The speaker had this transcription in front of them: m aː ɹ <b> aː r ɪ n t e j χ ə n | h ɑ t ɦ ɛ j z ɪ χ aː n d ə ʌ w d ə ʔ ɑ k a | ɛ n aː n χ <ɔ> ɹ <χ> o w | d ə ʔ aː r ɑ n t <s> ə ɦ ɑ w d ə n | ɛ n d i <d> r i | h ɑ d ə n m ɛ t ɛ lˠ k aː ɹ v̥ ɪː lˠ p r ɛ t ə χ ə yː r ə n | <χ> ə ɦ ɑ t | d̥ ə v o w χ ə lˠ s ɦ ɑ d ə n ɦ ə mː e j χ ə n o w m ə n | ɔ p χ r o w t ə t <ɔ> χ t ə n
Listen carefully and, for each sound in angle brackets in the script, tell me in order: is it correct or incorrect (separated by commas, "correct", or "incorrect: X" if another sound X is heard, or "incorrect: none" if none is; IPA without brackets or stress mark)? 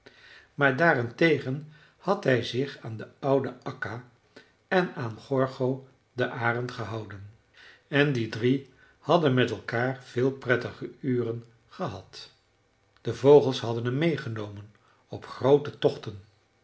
incorrect: d, correct, correct, incorrect: χ, correct, correct, correct